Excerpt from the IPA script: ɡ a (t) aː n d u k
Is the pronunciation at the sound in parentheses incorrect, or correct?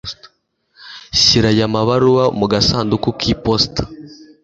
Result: incorrect: s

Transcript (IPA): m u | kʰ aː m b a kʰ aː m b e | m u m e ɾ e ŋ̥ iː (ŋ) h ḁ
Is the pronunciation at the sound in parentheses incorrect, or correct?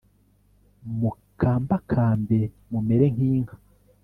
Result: correct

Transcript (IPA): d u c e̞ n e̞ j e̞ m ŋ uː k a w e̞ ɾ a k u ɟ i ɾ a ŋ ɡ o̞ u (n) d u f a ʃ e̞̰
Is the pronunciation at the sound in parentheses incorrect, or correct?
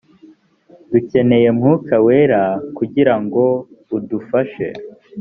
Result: incorrect: none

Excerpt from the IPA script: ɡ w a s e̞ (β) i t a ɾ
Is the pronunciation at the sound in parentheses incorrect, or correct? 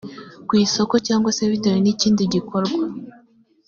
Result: correct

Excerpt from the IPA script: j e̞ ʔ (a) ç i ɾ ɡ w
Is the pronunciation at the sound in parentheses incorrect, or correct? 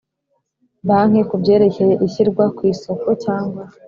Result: incorrect: i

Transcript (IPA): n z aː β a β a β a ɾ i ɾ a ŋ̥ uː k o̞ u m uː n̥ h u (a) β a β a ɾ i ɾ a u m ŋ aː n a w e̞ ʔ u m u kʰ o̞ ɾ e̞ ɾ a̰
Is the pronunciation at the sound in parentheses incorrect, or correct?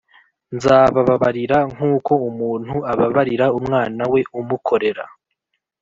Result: correct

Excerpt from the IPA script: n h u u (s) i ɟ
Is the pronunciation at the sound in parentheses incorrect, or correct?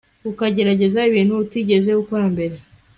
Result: incorrect: t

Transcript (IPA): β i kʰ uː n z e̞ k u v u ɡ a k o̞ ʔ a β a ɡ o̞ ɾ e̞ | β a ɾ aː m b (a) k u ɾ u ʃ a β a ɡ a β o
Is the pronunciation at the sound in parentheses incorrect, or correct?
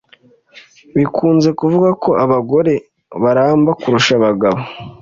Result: correct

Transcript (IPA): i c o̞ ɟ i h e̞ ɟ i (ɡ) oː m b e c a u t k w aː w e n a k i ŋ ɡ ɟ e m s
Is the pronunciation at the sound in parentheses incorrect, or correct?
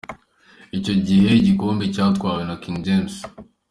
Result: incorrect: k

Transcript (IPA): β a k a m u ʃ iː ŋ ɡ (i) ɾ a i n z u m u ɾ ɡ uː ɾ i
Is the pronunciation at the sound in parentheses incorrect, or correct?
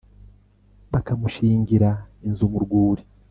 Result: correct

